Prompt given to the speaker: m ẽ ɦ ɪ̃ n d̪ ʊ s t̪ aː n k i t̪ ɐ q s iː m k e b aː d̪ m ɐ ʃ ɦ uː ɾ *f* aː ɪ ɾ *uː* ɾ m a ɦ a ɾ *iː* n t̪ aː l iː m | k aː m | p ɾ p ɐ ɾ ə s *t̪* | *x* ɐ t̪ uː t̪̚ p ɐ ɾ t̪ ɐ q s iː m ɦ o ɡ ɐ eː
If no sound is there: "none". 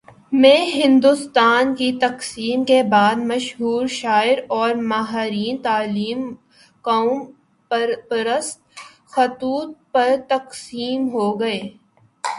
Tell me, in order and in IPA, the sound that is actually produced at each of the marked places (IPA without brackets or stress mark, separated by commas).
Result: ʃ, ɔː, iː, t̪, x